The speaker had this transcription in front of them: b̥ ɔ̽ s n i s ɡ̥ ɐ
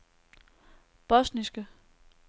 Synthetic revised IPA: b̥ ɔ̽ s n i s ɡ̥ ə